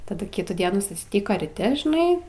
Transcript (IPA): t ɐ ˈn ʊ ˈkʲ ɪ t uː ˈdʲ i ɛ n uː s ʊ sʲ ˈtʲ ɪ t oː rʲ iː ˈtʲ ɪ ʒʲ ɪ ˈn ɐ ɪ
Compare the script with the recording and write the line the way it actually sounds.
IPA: t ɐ ˈd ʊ ˈkʲ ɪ t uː ˈdʲ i ɛ n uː s ʊ sʲ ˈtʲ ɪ k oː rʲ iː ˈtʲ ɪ ʒʲ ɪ ˈn ɐ ɪ